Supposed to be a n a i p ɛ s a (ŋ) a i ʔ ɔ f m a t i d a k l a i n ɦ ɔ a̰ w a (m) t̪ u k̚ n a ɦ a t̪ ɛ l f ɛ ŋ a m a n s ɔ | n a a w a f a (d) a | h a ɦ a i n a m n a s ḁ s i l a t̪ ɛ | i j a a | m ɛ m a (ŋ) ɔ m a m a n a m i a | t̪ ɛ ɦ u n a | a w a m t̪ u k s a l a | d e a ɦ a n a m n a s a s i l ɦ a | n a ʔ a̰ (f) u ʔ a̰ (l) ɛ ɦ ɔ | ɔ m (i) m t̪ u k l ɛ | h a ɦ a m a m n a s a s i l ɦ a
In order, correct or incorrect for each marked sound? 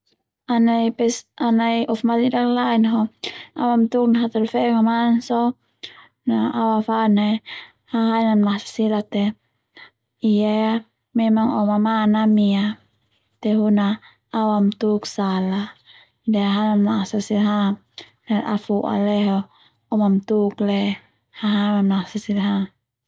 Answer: incorrect: n, correct, incorrect: n, correct, correct, correct, incorrect: a

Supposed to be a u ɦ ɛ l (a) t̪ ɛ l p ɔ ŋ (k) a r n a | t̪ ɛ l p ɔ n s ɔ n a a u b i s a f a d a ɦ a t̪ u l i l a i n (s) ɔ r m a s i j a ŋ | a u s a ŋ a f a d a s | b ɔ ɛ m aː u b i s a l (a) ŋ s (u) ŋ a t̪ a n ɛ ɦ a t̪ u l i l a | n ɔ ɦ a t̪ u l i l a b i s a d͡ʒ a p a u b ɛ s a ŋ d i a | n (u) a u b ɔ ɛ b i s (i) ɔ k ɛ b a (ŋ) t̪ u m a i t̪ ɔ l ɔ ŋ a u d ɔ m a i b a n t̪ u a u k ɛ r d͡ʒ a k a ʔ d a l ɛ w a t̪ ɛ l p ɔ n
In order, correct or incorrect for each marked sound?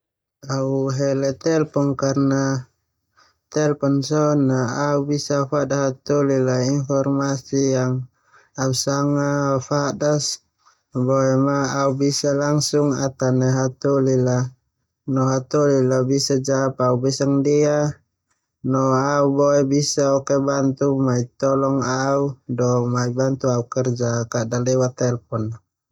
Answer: incorrect: ɛ, correct, incorrect: f, correct, correct, incorrect: ɔ, incorrect: a, incorrect: n

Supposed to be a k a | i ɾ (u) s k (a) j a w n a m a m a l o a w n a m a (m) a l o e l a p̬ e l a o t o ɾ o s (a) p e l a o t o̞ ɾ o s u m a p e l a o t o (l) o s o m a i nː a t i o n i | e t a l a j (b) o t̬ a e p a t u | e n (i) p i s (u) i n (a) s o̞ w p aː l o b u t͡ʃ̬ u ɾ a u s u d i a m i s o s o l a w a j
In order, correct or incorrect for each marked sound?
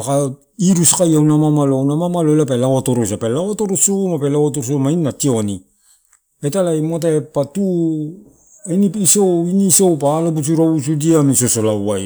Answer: correct, correct, correct, correct, incorrect: ɾ, incorrect: m, correct, incorrect: o, incorrect: i

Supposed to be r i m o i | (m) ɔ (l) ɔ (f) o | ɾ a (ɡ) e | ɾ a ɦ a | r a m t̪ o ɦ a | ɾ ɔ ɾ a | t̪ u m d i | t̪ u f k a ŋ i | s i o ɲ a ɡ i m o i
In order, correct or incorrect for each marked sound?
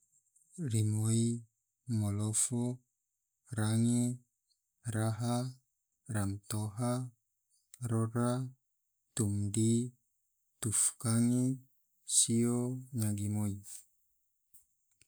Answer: correct, correct, correct, incorrect: ŋ

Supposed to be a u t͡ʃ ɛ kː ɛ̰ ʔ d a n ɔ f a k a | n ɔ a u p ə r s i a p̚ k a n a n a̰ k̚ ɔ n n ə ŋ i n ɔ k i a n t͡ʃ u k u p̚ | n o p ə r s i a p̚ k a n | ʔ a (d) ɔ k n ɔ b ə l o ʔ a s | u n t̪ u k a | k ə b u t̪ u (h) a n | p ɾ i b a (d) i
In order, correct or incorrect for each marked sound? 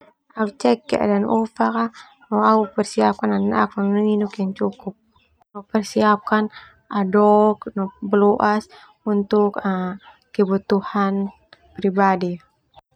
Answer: correct, correct, correct

